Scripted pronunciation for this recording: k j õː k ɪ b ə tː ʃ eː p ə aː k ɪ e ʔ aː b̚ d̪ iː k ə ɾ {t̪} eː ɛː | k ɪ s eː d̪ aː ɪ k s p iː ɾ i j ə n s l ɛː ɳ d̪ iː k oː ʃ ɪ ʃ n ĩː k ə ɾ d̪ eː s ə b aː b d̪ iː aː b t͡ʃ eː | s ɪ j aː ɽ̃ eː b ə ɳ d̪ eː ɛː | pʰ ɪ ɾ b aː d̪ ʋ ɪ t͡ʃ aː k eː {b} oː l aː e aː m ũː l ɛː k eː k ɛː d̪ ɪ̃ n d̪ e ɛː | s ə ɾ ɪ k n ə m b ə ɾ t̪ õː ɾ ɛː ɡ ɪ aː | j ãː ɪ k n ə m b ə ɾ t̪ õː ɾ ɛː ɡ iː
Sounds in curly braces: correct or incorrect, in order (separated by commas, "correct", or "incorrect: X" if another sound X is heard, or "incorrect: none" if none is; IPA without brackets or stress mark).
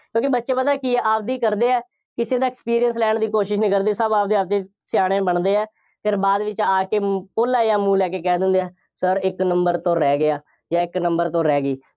incorrect: d̪, incorrect: p